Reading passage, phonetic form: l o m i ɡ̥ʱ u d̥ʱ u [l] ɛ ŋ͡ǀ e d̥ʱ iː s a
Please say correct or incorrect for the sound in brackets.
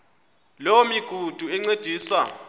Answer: incorrect